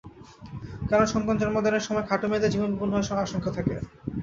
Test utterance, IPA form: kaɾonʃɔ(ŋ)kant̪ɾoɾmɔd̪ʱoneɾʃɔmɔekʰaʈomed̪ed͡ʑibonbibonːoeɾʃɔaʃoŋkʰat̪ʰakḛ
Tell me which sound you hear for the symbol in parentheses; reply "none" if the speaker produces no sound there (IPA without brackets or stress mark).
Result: ŋ